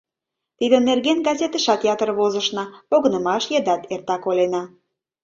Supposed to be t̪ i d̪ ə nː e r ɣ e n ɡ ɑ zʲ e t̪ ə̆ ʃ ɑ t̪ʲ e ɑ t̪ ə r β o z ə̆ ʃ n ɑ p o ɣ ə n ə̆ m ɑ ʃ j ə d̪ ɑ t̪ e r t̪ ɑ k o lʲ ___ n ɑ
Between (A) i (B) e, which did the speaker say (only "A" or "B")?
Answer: B